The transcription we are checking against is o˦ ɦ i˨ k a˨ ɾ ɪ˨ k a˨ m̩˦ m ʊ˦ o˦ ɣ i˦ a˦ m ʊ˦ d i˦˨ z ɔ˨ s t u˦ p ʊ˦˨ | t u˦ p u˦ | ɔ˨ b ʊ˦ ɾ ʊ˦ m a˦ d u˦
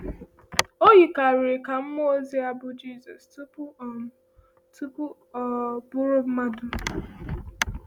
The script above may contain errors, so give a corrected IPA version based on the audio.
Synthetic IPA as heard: o˦ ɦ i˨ k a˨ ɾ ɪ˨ k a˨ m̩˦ m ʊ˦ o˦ z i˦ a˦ b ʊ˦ d͡ʒ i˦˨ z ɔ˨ s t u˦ p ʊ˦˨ | t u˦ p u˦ | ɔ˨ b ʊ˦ ɾ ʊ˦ m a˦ d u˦